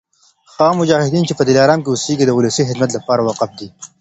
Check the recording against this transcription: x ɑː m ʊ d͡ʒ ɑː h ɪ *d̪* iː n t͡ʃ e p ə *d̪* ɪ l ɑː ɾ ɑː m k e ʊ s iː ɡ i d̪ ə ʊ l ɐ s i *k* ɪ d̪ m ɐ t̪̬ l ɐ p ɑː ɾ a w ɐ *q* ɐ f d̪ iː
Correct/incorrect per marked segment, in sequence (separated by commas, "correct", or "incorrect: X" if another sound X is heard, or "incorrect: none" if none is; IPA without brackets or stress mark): correct, correct, incorrect: x, correct